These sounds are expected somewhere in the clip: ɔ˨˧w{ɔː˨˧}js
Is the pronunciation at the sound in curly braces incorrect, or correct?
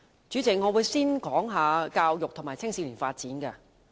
incorrect: uː˨˧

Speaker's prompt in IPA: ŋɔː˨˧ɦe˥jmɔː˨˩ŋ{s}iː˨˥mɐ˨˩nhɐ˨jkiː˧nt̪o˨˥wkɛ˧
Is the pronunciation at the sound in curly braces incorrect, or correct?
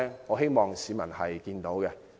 correct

